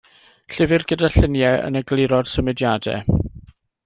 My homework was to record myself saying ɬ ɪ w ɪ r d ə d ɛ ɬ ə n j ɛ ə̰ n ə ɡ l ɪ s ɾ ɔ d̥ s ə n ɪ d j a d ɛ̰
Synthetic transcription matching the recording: ɬ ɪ v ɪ r ɡ ə d a ɬ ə n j ɛ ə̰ n ə ɡ l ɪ ɾ ɔ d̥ s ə m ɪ d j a d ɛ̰